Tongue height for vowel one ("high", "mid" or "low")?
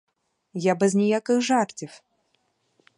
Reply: low